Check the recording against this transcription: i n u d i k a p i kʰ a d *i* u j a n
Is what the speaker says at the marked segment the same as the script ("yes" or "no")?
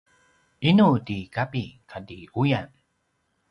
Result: yes